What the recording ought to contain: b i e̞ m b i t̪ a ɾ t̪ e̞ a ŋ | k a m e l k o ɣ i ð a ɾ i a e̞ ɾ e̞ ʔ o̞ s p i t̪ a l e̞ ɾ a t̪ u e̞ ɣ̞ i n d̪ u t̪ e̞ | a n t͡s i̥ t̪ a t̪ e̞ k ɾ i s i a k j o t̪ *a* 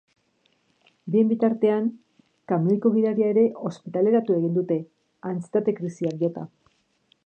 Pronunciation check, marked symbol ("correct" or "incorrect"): correct